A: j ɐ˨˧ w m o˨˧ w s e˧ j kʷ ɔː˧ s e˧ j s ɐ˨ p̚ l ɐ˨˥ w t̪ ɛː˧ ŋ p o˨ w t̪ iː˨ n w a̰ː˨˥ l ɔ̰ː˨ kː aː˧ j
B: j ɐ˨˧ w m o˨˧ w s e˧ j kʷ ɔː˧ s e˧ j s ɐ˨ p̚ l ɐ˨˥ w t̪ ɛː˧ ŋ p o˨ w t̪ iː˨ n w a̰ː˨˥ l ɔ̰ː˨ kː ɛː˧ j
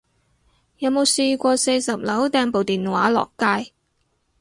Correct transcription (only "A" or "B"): A